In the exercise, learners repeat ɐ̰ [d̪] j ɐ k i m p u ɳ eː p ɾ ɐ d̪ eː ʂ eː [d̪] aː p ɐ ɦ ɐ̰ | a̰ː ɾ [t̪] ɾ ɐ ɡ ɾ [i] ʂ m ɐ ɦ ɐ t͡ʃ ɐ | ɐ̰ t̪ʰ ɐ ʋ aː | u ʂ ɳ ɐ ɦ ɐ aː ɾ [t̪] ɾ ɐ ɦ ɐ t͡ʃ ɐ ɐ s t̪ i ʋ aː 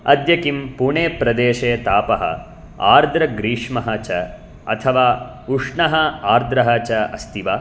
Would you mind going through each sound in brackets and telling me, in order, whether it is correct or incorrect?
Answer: correct, incorrect, incorrect, incorrect, incorrect

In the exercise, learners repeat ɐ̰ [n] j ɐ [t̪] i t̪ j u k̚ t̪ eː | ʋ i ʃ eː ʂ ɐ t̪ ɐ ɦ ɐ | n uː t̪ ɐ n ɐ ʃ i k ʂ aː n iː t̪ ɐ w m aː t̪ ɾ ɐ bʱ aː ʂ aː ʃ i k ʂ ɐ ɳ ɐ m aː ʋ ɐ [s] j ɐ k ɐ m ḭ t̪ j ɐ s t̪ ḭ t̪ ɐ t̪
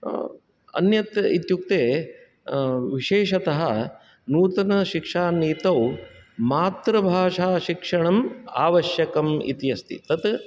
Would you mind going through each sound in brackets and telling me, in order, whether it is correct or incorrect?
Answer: correct, correct, incorrect

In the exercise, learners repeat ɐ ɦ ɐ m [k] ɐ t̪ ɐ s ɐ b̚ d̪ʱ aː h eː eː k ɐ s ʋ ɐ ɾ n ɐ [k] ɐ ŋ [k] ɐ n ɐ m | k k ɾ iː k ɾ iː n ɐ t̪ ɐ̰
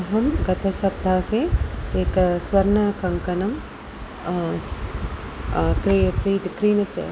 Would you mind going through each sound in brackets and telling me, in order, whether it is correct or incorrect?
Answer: incorrect, correct, correct

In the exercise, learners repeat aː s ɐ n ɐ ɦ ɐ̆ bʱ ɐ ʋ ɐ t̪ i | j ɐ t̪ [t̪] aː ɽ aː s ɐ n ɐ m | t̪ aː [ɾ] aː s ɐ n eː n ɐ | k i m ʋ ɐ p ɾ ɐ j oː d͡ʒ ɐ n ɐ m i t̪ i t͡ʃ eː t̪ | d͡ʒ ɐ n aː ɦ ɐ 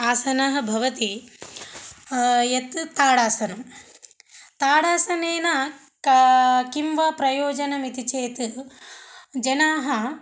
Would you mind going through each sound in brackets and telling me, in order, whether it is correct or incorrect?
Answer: correct, incorrect

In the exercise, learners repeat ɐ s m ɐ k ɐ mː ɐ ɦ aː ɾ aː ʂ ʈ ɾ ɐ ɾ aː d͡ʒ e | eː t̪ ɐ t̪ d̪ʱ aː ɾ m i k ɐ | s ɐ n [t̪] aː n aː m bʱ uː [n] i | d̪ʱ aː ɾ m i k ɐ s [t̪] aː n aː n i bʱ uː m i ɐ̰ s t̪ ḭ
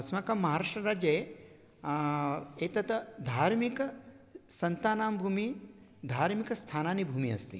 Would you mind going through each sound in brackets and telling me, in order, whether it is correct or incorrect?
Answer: correct, incorrect, incorrect

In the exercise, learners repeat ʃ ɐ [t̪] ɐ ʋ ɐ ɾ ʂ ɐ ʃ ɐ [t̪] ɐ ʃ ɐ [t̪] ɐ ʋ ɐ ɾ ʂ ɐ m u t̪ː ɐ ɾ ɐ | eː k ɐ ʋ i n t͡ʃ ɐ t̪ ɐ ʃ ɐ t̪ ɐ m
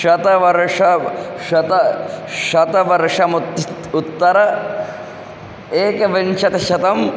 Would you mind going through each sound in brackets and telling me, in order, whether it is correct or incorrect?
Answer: correct, correct, correct

